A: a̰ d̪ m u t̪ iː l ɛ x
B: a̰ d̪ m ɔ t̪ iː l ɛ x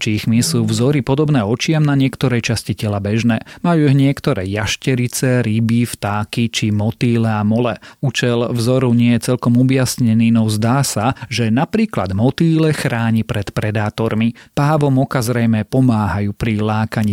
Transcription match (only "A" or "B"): B